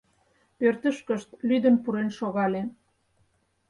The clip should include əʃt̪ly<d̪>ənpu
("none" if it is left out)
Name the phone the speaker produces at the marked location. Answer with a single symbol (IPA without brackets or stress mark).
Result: d̪